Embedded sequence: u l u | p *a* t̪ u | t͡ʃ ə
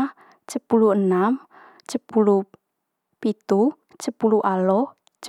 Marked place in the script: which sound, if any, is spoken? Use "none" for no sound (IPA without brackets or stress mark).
i